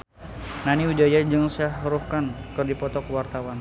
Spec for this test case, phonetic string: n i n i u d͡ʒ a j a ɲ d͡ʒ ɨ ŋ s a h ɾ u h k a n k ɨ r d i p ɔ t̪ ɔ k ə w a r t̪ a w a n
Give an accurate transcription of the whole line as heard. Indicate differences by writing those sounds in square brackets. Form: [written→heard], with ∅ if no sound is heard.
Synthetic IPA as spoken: n [i→a] n i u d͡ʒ a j a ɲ d͡ʒ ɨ ŋ s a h ɾ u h k a n k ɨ r d i p ɔ t̪ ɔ k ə w a r t̪ a w a n